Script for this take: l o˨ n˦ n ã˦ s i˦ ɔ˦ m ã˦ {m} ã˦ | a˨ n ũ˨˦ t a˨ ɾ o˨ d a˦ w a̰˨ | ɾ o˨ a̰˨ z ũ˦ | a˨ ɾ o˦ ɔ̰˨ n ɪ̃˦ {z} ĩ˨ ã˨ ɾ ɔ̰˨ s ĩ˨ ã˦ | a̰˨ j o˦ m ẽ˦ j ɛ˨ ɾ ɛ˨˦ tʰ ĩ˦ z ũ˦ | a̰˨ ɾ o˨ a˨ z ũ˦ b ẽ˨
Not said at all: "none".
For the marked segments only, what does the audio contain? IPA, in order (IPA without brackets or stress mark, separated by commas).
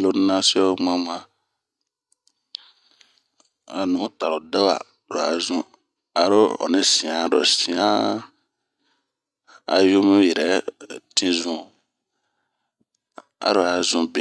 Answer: m, s